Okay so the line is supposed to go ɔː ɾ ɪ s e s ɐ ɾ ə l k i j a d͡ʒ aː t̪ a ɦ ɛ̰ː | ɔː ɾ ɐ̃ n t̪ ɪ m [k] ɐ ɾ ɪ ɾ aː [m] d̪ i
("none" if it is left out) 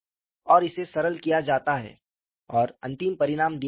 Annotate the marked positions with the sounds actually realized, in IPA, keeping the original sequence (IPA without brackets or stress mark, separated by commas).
p, m